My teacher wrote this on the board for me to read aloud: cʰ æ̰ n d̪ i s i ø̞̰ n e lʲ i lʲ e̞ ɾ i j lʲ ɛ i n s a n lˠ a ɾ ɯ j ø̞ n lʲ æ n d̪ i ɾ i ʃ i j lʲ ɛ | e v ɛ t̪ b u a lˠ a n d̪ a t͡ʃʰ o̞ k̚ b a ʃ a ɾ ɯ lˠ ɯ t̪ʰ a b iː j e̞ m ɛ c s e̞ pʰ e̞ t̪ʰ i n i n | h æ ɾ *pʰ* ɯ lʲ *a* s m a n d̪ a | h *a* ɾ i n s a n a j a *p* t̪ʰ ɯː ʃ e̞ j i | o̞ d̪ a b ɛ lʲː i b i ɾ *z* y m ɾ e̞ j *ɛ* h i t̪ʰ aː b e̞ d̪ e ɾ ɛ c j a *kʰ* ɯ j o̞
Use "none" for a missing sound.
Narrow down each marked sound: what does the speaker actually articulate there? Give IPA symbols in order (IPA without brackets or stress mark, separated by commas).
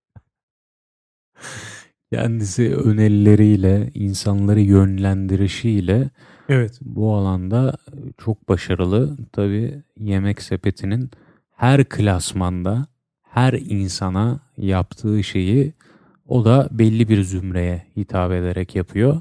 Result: kʰ, a, æ, p, z, ɛ, pʰ